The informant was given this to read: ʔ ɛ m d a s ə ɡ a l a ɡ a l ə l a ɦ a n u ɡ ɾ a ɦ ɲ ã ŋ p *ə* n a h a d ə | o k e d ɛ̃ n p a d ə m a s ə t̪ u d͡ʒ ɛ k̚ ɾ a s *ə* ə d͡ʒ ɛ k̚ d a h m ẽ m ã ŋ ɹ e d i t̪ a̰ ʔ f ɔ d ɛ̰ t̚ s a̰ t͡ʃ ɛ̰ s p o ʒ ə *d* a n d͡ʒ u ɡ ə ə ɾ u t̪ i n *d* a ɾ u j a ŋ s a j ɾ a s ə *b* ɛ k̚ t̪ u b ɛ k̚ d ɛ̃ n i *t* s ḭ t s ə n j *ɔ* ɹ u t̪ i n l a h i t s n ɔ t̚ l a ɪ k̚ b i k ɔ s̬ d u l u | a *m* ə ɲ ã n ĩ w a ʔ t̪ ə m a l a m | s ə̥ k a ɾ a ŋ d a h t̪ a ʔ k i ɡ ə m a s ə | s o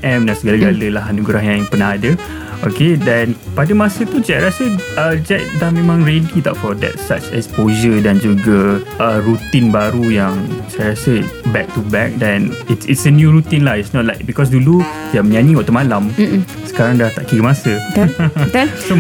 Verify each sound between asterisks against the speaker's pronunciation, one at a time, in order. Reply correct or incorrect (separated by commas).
correct, correct, correct, incorrect, correct, correct, incorrect, correct